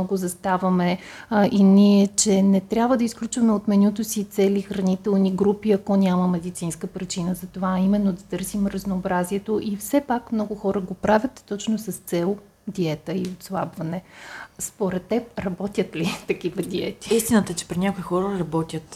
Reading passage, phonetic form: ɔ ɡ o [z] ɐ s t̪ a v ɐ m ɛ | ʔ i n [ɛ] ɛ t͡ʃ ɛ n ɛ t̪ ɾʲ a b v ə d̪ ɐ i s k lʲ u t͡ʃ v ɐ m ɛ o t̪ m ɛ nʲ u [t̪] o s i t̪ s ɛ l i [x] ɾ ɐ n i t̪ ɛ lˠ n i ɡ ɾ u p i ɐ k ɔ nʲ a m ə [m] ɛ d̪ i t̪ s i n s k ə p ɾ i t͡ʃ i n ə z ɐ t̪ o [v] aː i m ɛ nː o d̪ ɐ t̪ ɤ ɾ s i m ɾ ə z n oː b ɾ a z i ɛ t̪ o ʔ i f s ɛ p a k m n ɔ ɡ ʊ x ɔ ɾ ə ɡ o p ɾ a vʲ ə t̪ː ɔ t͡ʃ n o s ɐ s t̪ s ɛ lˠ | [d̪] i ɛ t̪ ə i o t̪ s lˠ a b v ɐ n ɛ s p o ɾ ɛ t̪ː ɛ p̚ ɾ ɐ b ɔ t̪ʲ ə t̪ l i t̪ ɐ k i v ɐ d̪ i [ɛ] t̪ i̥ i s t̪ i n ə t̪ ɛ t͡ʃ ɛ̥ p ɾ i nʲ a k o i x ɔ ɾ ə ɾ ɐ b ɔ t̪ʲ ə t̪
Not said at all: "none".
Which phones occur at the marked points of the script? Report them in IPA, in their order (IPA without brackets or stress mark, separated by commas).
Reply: z, i, t̪, x, m, v, d̪, ɛ